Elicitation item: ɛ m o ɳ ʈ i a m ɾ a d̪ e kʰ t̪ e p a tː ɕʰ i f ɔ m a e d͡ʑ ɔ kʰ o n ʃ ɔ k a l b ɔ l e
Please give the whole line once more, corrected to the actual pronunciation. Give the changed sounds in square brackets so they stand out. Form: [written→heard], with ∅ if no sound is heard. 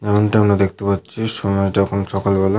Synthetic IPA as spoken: ɛ m o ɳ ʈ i a m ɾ a d̪ e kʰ t̪ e p a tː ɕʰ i [f→ʃ] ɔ m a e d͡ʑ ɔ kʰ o n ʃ ɔ k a l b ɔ l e